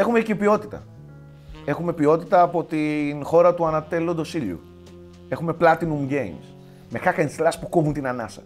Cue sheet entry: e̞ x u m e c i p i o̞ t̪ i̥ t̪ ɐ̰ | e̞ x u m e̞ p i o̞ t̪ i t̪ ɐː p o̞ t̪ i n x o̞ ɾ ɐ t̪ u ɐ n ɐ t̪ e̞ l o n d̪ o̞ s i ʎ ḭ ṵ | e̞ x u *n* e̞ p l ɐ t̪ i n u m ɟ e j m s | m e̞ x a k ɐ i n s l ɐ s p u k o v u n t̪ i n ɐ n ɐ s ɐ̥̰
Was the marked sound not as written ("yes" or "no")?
yes